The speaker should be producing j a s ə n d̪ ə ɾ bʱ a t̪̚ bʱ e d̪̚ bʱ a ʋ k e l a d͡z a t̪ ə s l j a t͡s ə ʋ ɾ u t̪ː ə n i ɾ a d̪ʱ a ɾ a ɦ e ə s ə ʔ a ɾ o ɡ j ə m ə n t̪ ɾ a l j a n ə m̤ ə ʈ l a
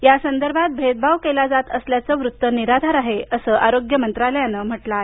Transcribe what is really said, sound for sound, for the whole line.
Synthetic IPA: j a s ə n d̪ ə ɾ bʱ a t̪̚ bʱ e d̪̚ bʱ a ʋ k e l a d͡z a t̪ ə s l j a t͡s ə ʋ ɾ u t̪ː ə n i ɾ a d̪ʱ a ɾ a ɦ e ə s ə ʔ a ɾ o ɡ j ə m ə n t̪ ɾ a l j a n ə m̤ ə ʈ l a